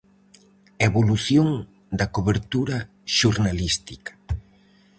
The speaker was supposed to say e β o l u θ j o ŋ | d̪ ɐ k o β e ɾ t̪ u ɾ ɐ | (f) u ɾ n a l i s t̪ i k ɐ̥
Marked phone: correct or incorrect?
incorrect